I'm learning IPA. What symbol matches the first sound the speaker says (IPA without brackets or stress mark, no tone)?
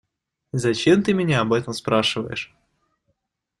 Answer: z